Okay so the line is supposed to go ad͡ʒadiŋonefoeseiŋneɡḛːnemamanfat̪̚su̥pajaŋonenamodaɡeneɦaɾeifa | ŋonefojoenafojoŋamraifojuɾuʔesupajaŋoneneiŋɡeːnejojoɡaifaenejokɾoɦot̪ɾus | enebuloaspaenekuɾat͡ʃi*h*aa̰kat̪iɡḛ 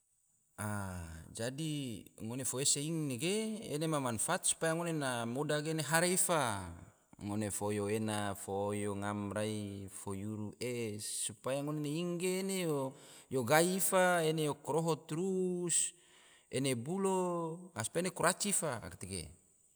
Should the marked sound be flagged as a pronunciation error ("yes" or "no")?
yes